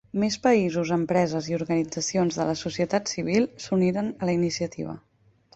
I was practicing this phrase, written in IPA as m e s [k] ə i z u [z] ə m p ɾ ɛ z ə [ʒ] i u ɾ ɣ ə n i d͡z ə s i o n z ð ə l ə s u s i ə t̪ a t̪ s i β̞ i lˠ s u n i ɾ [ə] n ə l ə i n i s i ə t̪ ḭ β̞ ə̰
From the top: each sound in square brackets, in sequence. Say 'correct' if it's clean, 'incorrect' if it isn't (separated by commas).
incorrect, correct, incorrect, correct